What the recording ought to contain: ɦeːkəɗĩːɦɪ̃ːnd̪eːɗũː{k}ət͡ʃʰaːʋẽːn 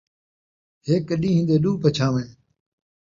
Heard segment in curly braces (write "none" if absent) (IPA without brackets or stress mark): p